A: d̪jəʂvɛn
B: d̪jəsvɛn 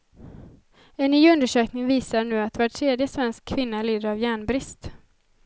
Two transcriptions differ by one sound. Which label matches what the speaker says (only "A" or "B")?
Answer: B